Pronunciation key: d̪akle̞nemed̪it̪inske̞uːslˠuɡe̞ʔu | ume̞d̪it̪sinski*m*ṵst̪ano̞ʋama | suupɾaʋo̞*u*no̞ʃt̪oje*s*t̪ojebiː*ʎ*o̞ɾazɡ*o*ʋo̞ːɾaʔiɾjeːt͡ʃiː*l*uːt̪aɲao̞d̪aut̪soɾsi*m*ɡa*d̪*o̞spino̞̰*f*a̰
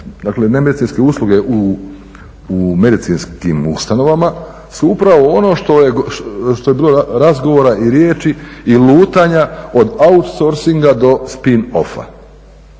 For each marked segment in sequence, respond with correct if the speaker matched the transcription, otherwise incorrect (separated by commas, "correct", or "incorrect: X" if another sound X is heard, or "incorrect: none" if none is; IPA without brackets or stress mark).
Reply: correct, incorrect: o, incorrect: ʃ, incorrect: l, correct, correct, incorrect: ŋ, correct, correct